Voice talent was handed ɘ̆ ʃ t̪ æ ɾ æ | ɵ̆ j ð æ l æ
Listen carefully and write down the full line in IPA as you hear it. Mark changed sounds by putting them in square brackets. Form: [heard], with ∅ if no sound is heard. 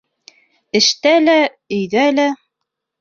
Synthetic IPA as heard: ɘ̆ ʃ t̪ æ [l] æ | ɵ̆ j ð æ l æ

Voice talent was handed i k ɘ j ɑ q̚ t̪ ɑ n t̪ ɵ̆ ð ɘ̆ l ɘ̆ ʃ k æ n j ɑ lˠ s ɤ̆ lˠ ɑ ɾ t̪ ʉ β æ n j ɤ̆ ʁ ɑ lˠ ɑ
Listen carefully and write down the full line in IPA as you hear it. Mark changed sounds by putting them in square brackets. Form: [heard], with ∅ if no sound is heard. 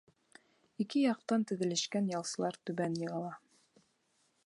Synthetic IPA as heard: i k ɘ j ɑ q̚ t̪ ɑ n t̪ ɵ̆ ð ɘ̆ l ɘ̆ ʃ k æ n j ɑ lˠ s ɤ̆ lˠ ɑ ɾ t̪ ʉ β æ n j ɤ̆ ʁ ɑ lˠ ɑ

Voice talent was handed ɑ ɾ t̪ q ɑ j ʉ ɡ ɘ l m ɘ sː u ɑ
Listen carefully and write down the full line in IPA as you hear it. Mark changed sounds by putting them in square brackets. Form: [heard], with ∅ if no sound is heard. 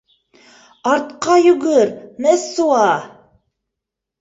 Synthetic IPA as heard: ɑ ɾ t̪ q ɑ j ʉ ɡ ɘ [ɾ] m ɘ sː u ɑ

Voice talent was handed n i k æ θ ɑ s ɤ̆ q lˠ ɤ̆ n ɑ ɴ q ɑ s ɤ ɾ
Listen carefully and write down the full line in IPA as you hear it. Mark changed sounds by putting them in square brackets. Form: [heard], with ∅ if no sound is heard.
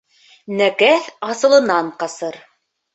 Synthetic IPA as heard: n [æ] k æ θ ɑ s ɤ̆ [∅] lˠ ɤ̆ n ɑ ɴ q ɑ s ɤ ɾ

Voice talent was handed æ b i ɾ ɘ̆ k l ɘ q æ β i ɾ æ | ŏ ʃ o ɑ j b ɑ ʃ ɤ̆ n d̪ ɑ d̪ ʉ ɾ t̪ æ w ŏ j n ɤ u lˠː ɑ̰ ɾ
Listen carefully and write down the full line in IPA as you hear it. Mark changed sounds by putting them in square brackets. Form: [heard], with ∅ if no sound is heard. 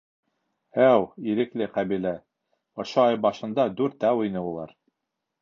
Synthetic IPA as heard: æ [w] i ɾ ɘ̆ k l ɘ q æ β i [l] æ | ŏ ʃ o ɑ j b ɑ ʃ ɤ̆ n d̪ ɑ d̪ ʉ ɾ t̪ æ w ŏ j n ɤ u [lˠ] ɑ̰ ɾ

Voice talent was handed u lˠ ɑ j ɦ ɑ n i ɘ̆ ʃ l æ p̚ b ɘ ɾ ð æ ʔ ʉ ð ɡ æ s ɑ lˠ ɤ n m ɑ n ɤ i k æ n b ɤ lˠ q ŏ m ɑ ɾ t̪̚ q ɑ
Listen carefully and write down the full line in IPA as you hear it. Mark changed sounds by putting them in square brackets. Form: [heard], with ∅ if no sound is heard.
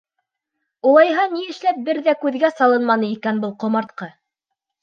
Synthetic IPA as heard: u lˠ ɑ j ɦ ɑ n i ɘ̆ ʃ l æ p̚ b ɘ ɾ ð æ [k] ʉ ð ɡ æ s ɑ lˠ ɤ n m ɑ n ɤ i k æ n b ɤ lˠ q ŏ m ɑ ɾ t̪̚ q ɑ

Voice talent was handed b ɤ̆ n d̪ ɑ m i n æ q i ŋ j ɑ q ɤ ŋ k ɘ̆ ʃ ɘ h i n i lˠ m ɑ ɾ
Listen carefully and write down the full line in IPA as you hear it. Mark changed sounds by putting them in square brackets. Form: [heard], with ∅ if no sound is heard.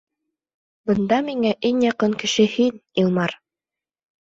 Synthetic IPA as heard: b ɤ̆ n d̪ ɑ m i [ŋ] æ [ʔ] i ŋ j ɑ q ɤ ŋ k ɘ̆ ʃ ɘ h i n i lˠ m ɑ ɾ

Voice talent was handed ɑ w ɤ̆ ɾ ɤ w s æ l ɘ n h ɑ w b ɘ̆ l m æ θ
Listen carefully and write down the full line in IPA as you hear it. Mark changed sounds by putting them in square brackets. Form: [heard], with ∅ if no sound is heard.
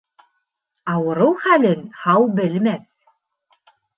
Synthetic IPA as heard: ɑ w ɤ̆ ɾ ɤ w [χ] æ l ɘ n h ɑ w b ɘ̆ l m æ θ

